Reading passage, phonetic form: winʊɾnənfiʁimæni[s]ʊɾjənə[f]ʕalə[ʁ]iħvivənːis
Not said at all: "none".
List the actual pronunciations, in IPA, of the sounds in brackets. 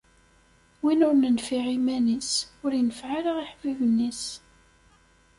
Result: s, f, ʁ

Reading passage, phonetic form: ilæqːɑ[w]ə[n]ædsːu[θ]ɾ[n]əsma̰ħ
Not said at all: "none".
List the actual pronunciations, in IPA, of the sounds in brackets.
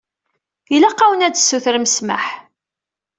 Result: w, n, θ, m

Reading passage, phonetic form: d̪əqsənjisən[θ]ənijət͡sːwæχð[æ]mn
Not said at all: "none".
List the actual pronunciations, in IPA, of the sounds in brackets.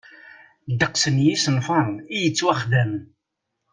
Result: f, æ

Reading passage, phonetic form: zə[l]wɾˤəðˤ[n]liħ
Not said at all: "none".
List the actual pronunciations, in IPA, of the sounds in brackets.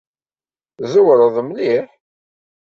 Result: none, m

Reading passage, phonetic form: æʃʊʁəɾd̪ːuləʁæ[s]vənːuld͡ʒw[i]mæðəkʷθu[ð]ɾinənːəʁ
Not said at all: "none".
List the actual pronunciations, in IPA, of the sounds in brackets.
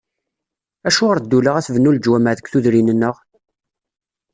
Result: θ, æ, ð

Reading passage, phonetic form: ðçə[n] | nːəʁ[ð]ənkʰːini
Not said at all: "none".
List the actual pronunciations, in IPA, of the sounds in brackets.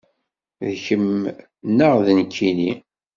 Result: m, ð

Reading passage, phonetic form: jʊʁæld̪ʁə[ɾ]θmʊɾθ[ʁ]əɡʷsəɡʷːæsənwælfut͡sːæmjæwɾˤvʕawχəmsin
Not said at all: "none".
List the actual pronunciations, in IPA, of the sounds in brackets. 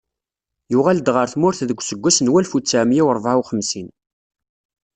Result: ɾ, ð

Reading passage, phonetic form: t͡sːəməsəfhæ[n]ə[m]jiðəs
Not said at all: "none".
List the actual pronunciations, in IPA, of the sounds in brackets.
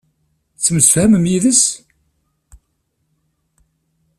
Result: m, m

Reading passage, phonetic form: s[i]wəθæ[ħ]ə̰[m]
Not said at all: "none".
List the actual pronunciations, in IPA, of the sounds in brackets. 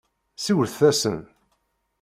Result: i, s, n

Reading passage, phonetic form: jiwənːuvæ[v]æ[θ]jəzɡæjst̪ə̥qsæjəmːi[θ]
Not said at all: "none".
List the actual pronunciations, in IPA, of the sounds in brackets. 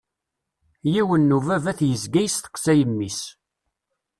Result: v, θ, s

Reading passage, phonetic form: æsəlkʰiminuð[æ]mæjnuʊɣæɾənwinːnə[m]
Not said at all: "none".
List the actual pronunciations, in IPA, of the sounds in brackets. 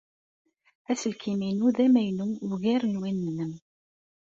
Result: æ, m

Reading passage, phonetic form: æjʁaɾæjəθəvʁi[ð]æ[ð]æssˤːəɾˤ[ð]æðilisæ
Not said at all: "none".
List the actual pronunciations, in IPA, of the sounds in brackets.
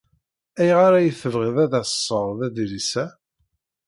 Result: ð, ð, ð

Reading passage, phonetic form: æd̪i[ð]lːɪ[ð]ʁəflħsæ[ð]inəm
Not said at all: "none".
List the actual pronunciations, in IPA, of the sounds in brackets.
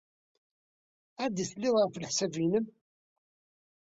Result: θ, ð, v

